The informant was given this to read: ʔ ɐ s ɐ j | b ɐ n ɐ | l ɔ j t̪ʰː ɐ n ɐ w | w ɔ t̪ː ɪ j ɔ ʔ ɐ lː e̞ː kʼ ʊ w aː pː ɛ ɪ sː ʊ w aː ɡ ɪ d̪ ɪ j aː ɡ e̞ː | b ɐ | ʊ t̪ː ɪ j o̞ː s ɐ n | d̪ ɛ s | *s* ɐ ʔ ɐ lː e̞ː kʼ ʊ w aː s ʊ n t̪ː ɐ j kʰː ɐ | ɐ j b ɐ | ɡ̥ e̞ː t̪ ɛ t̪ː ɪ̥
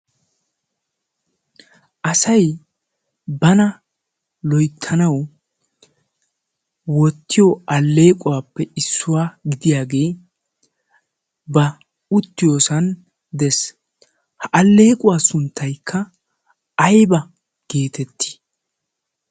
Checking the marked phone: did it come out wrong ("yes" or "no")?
yes